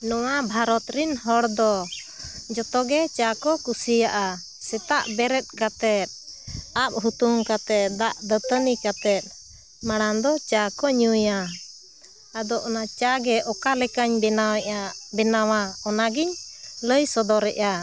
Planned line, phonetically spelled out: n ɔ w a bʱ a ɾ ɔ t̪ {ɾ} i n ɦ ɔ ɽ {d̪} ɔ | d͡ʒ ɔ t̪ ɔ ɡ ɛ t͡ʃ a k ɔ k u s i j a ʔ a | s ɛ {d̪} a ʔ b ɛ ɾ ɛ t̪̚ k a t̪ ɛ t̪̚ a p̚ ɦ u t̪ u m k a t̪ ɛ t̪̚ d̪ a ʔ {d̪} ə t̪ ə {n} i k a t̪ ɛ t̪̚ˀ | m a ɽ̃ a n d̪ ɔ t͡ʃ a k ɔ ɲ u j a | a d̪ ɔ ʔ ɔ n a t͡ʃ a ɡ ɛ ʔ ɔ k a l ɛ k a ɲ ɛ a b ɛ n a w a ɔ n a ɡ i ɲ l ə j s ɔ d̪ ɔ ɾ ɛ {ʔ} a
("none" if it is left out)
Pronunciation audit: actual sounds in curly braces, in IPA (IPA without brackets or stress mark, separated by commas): ɾ, d̪, t̪, d̪, n, ʔ